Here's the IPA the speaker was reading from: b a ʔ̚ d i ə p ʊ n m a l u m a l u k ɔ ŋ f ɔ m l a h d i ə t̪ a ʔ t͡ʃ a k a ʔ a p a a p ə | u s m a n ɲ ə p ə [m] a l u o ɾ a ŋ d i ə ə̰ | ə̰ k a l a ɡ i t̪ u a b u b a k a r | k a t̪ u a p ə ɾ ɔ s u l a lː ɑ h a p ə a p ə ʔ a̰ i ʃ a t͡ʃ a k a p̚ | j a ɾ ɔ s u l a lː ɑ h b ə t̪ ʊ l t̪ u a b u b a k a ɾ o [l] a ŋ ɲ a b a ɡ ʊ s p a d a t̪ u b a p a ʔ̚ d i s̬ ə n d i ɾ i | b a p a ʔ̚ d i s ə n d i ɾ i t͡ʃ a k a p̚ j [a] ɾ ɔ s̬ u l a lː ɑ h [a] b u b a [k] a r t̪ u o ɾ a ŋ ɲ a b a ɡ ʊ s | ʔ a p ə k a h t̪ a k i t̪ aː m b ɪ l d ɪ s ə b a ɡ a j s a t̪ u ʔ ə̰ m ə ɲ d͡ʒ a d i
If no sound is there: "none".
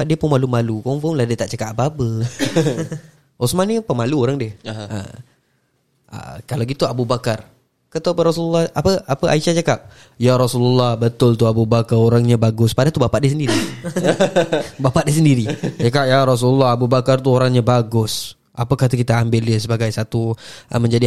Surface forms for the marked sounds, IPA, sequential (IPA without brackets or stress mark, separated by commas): m, ɾ, a, a, k